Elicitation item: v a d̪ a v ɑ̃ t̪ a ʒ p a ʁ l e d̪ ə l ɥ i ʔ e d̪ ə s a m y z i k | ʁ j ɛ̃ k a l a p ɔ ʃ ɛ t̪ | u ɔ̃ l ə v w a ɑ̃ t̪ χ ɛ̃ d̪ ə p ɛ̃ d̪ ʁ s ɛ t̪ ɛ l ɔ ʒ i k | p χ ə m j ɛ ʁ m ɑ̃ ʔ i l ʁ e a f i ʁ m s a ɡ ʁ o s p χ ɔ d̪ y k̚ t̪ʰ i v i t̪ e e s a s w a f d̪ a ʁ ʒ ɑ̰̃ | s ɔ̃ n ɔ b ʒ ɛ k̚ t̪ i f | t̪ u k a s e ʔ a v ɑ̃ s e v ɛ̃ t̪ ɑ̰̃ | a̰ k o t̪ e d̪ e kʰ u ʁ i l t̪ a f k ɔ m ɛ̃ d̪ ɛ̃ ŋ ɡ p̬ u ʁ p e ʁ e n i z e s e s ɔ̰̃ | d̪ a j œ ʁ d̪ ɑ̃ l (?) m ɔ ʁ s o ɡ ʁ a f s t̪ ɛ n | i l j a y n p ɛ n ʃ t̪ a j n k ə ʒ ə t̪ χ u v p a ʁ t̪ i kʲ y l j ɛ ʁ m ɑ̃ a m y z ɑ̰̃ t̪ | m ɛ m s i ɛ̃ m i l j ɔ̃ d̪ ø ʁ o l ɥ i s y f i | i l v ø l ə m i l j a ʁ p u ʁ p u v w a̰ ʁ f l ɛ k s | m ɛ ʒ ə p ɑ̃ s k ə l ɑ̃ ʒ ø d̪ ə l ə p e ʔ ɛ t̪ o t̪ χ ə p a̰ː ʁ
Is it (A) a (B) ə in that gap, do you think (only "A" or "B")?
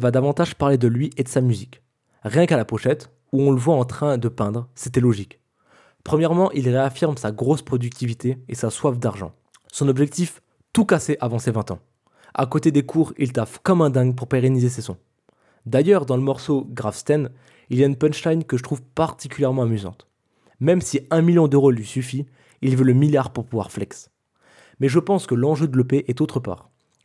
B